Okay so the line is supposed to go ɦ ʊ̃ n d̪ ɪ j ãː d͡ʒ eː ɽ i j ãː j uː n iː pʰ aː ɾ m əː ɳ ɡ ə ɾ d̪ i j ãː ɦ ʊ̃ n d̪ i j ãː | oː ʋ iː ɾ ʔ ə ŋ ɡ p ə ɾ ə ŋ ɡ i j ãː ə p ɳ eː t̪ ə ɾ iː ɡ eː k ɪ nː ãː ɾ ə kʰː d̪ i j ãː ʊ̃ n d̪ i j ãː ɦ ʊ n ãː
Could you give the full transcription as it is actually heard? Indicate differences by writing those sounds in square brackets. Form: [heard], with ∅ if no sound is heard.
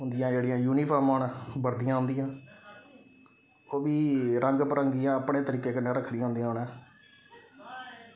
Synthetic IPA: ɦ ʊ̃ n d̪ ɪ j ãː d͡ʒ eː ɽ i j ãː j uː n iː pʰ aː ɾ m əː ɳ [b] ə ɾ d̪ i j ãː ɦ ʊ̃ n d̪ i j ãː | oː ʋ iː ɾ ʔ ə ŋ ɡ p ə ɾ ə ŋ ɡ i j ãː ə p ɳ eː t̪ ə ɾ iː [k] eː k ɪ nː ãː ɾ ə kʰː d̪ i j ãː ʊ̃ n d̪ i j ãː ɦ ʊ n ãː